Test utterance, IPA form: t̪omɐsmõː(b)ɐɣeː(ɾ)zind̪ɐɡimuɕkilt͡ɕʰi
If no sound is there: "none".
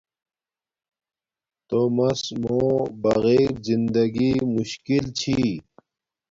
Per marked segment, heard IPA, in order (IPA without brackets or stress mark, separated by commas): b, ɾ